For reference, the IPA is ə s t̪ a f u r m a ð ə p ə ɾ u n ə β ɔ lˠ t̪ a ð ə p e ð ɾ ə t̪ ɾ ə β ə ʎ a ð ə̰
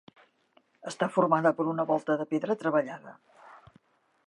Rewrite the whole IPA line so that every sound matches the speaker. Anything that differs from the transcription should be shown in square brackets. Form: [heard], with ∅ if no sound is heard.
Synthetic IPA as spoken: ə s t̪ a f u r m a ð ə p ə ɾ u n ə β ɔ lˠ t̪ [ə] ð ə p e ð ɾ ə t̪ ɾ ə β ə ʎ a ð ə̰